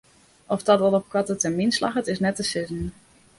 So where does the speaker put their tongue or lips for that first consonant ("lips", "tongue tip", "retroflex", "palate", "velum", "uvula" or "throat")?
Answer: lips